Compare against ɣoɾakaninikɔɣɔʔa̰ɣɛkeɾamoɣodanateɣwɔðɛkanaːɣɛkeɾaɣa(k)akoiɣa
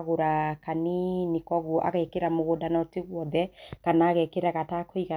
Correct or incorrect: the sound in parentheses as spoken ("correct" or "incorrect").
incorrect